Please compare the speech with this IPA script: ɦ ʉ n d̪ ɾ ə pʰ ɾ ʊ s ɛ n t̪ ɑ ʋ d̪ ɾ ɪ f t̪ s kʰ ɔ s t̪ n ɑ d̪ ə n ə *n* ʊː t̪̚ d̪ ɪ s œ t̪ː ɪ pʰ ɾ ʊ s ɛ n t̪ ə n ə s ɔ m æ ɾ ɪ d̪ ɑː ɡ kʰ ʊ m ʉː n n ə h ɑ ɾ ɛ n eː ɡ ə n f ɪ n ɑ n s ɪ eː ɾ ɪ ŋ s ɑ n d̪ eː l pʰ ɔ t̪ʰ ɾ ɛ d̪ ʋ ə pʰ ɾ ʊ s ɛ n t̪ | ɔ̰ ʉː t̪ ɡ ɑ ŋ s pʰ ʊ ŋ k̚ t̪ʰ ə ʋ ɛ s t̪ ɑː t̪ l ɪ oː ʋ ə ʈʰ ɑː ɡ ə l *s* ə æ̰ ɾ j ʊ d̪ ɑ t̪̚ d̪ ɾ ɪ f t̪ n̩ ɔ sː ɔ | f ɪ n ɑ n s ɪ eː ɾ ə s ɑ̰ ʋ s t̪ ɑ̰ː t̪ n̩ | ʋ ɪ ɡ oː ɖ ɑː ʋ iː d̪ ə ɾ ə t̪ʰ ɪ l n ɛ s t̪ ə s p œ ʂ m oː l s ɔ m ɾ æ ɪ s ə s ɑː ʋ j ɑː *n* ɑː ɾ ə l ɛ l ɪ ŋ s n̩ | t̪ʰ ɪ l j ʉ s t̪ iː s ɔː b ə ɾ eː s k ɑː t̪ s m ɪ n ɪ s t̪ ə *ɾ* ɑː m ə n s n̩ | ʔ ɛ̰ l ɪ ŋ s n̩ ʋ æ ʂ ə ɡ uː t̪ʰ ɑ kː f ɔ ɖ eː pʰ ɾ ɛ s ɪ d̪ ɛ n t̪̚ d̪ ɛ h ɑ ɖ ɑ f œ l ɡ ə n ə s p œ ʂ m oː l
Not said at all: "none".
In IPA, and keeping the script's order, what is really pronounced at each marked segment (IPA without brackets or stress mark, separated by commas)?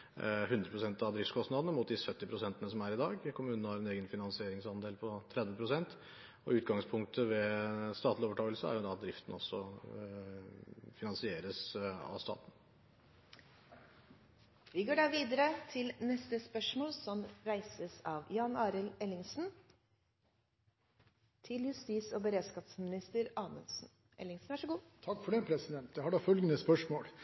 m, s, n, ɾ